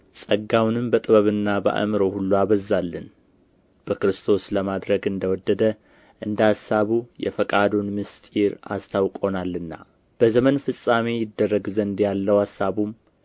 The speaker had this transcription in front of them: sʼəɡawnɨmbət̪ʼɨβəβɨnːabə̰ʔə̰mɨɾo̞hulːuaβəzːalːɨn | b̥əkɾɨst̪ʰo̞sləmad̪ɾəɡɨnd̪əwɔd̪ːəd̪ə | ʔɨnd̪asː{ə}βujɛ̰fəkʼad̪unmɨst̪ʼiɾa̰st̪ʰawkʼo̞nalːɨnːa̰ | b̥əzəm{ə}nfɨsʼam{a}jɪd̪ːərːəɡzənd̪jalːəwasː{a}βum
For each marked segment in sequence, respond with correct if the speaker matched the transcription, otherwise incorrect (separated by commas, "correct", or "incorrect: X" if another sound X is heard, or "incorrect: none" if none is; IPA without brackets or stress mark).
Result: incorrect: a, correct, incorrect: e, correct